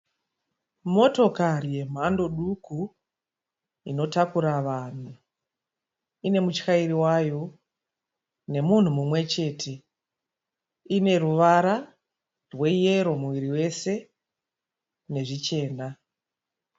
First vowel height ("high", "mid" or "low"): mid